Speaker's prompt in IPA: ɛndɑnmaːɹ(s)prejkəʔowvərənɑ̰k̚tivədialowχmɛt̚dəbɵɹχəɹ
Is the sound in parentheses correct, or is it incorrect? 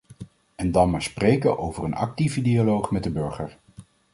correct